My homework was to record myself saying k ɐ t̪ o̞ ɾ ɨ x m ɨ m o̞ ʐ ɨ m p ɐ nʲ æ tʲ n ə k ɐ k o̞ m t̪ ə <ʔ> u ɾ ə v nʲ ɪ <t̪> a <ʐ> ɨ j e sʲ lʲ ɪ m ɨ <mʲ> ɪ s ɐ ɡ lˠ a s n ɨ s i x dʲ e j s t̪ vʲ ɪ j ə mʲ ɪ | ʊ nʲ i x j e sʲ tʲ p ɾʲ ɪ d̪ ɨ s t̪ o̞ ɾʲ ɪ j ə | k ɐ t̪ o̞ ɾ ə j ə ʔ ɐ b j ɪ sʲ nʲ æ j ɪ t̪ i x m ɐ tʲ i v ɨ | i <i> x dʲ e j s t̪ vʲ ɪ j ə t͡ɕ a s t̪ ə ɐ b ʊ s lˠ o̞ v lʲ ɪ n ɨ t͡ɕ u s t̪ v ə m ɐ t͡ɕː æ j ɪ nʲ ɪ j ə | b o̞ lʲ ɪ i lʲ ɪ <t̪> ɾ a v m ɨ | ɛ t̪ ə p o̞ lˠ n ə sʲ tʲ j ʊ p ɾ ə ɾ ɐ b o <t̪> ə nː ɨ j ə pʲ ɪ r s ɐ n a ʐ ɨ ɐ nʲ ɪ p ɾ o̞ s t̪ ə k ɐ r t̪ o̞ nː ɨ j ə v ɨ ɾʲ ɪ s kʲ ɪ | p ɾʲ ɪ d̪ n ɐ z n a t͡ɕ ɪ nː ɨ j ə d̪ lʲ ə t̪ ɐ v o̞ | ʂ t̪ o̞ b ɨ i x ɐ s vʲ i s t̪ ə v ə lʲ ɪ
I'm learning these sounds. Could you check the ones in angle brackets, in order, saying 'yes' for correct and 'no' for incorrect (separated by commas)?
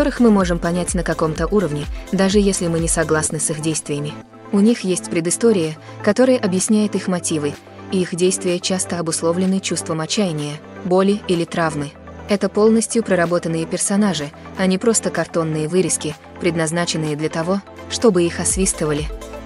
yes, no, yes, no, yes, yes, yes